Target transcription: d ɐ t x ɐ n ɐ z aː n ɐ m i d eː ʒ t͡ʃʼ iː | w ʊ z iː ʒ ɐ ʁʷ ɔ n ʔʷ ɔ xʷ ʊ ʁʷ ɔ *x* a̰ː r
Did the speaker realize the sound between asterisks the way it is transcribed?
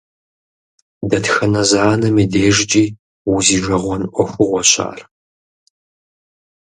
no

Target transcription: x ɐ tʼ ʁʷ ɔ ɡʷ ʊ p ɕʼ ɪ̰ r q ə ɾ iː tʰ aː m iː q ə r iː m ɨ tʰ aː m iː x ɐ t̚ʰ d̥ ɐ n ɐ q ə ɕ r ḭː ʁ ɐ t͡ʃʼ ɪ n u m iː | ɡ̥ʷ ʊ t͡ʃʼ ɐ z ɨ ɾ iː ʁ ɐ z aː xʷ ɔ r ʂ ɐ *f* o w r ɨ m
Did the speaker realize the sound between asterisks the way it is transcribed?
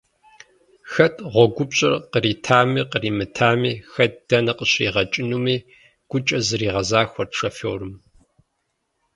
yes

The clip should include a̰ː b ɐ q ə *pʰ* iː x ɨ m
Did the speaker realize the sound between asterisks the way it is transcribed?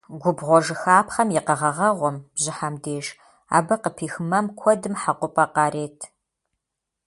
yes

